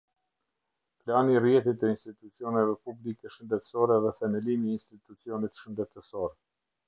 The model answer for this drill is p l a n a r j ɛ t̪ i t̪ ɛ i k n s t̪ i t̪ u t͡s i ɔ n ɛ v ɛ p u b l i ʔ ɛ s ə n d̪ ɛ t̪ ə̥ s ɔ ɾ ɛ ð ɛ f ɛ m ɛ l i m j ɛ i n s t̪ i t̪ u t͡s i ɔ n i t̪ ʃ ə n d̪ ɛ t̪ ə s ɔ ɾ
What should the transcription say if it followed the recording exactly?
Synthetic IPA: p l a n i r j ɛ t̪ i t̪ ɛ i n s t̪ i t̪ u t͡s i ɔ n ɛ v ɛ p u b l i k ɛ ʃ ə n d̪ ɛ t̪ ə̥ s ɔ ɾ ɛ ð ɛ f ɛ m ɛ l i m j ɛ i n s t̪ i t̪ u t͡s i ɔ n i t̪ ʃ ə n d̪ ɛ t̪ ə s ɔ ɾ